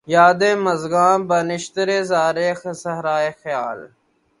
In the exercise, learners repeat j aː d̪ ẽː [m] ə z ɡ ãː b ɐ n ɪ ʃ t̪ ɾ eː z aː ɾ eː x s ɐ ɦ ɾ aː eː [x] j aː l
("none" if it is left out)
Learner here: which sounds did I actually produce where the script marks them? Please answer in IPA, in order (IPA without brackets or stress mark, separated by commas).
m, x